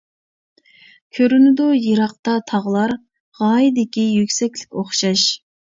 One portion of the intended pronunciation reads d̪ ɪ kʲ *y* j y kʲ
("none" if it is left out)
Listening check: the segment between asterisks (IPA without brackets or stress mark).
i